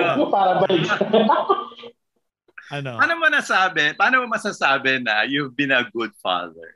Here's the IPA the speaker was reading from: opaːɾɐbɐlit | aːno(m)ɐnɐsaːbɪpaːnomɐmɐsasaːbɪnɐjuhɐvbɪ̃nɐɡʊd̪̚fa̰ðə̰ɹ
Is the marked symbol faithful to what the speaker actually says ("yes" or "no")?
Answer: yes